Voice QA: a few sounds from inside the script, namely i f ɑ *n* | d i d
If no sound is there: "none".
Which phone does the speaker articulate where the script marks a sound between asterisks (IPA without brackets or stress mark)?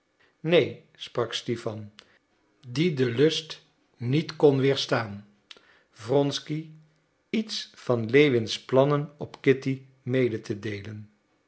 n